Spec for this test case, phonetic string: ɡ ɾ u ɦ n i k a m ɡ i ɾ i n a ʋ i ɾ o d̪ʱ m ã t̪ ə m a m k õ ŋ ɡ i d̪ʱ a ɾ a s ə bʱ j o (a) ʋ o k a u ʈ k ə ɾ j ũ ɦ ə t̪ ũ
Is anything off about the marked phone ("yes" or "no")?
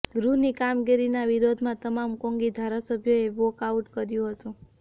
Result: yes